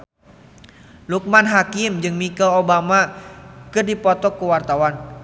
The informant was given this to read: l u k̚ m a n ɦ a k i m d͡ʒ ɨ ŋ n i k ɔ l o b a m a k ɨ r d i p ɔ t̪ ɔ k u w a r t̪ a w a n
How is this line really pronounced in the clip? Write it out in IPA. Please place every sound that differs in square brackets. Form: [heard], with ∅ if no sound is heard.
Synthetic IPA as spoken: l u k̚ m a n ɦ a k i m d͡ʒ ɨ ŋ [m] i k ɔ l o b a m a k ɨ r d i p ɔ t̪ ɔ k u w a r t̪ a w a n